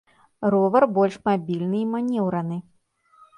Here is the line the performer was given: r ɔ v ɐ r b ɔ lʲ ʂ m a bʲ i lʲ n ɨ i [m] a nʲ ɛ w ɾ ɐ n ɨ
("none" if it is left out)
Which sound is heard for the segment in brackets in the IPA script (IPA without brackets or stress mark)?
m